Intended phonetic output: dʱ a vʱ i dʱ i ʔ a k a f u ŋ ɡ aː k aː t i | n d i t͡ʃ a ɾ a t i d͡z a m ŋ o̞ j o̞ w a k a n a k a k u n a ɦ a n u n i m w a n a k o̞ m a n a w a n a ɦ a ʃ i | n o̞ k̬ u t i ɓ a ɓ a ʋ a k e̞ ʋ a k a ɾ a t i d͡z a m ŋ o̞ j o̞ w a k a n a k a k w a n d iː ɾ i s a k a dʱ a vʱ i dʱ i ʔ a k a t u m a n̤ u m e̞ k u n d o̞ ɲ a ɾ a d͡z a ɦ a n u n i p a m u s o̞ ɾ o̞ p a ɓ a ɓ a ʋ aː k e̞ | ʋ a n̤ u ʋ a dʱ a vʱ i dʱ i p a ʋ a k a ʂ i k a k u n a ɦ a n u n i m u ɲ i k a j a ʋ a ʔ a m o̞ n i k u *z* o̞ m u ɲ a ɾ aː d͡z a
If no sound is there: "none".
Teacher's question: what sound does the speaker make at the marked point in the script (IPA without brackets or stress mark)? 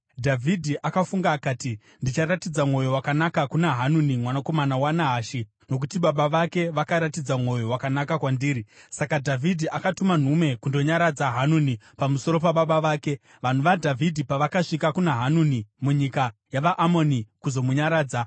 z